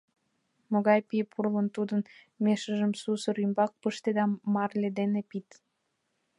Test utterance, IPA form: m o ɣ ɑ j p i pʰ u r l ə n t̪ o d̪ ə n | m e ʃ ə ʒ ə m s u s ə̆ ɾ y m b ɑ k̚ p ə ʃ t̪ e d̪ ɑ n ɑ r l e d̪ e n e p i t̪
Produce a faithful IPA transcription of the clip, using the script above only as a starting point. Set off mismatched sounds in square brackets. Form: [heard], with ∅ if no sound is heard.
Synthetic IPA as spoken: m o ɣ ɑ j p i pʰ u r l ə n t̪ [u] d̪ ə n | m e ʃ ə ʒ ə m s u s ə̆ ɾ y m b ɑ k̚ p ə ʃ t̪ e d̪ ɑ [m] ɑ r l e d̪ e n e p i t̪